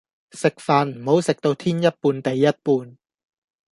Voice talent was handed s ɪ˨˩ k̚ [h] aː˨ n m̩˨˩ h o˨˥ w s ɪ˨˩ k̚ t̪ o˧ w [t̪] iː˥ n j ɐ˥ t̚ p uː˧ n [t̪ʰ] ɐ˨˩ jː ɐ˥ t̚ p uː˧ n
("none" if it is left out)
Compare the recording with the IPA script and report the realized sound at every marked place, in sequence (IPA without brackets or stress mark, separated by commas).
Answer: f, t̪ʰ, t̪